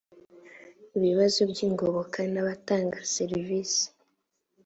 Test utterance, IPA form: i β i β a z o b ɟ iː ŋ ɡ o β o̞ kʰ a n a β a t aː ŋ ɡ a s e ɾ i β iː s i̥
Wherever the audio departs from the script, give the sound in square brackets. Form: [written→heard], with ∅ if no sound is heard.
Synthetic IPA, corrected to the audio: i β i β a z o b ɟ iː ŋ ɡ o β o̞ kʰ a n a β a t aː ŋ ɡ a s e ɾ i [β→v] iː s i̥

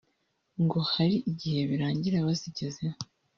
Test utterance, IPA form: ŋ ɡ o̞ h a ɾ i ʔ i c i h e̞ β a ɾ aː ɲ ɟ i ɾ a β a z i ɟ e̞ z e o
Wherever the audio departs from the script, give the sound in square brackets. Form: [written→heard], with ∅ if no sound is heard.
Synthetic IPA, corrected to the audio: ŋ ɡ o̞ h a ɾ i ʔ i [c→ɟ] i h e̞ β [a→i] ɾ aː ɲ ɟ i ɾ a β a z i ɟ e̞ z e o

